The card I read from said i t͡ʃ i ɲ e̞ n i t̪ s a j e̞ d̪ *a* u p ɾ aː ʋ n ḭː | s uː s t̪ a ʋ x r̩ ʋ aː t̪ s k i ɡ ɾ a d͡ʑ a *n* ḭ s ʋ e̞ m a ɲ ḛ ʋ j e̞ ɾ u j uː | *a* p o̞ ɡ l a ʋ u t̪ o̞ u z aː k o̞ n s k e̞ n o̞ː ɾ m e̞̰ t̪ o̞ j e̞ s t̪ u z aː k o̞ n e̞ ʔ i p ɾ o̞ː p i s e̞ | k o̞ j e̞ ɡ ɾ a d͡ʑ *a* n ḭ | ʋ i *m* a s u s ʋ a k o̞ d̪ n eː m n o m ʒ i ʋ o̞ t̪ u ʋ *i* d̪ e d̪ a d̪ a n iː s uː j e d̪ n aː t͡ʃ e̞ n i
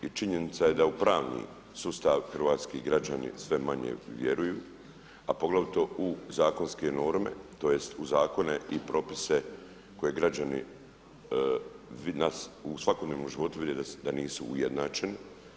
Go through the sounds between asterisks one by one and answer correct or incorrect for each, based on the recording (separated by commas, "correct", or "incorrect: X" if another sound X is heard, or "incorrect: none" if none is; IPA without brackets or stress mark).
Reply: correct, correct, correct, correct, incorrect: n, correct